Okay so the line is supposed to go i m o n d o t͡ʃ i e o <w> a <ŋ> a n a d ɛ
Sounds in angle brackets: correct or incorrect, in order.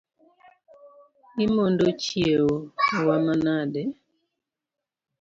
correct, incorrect: m

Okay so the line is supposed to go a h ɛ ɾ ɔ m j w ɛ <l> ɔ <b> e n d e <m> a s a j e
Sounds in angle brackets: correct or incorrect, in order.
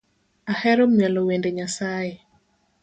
correct, incorrect: w, incorrect: ɲ

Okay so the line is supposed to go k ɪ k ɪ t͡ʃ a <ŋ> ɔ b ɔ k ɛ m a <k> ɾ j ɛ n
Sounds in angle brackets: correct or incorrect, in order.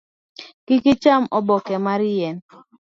incorrect: m, incorrect: none

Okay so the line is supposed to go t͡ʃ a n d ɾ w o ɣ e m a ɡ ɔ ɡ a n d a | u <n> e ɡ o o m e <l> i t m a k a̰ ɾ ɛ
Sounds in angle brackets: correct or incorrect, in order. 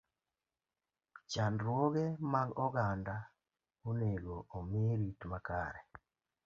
correct, incorrect: ɾ

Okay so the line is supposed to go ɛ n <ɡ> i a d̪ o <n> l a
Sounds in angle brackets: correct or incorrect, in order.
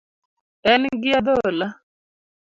correct, incorrect: none

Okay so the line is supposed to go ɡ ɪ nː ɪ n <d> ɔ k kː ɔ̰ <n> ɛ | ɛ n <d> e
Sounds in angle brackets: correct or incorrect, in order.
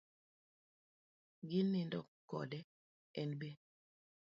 correct, incorrect: d, incorrect: b

